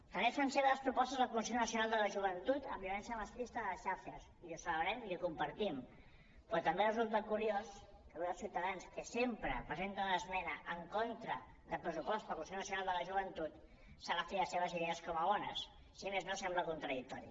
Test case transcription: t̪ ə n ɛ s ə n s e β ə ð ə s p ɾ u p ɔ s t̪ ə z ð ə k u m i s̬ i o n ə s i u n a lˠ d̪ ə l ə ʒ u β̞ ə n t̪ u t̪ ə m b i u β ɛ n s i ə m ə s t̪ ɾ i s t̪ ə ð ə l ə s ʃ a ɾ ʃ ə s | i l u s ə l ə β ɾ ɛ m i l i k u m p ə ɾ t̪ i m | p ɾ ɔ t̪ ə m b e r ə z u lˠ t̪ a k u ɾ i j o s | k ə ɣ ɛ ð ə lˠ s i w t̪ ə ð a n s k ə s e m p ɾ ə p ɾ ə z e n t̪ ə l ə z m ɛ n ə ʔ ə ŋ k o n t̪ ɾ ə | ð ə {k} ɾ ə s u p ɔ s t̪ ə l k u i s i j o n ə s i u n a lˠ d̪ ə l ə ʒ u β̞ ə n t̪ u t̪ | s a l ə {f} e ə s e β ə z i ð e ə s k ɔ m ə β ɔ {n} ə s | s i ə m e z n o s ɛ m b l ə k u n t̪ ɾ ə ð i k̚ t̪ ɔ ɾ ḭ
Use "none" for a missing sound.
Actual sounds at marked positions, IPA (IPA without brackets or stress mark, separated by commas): p, f, n